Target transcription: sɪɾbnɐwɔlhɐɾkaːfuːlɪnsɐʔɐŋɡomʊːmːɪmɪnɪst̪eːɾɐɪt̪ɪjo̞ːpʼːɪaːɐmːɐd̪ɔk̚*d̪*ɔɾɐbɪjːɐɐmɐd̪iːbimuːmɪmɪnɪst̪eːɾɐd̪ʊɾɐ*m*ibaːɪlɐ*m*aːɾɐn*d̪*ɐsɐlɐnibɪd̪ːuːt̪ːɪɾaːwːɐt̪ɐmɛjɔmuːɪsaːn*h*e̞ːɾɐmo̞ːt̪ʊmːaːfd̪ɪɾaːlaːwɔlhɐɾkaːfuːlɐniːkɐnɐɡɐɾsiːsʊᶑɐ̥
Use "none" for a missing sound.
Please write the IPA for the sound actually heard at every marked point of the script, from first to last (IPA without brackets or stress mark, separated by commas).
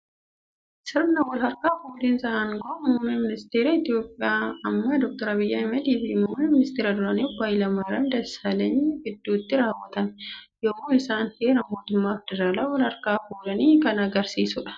t̪, n, m, d̪, h